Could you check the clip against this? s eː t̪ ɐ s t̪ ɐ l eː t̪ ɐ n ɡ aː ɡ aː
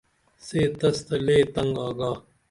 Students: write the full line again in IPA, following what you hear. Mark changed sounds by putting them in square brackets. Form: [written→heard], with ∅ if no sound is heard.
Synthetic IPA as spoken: s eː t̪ ɐ s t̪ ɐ l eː t̪ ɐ [n→ŋ] ɡ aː ɡ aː